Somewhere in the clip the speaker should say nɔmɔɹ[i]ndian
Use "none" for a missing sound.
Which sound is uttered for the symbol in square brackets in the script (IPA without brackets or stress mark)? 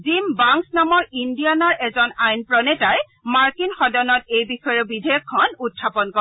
i